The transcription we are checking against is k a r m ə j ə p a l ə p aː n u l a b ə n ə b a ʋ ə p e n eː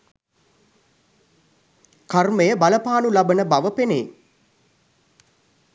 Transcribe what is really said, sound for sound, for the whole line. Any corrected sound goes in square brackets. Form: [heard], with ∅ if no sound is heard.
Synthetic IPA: k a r m ə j ə [b] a l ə p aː n u l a b ə n ə b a ʋ ə p e n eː